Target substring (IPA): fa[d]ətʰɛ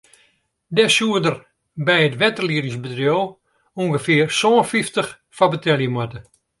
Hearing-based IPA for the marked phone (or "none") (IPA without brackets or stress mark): b